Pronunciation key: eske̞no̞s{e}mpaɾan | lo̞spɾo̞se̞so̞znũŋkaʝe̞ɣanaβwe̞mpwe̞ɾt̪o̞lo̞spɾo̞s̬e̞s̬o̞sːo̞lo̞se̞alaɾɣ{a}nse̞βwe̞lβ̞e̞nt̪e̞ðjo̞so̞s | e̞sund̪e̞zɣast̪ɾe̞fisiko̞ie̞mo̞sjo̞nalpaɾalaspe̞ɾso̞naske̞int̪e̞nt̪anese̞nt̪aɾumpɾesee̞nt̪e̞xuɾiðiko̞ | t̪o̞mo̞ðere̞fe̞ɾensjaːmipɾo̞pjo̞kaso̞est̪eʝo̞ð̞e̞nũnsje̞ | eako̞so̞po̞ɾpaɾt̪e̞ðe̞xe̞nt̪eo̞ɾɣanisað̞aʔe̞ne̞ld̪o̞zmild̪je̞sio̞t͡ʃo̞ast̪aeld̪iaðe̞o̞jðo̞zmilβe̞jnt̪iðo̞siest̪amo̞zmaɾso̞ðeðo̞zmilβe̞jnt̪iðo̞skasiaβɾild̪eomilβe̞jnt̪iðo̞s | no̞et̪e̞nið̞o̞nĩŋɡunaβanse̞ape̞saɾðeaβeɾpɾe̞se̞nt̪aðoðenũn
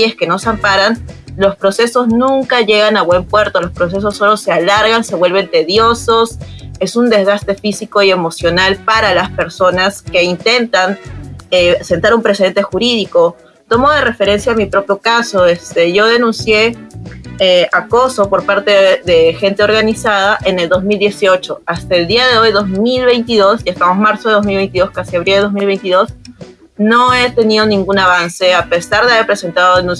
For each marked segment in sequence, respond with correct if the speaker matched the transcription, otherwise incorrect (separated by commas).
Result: incorrect, correct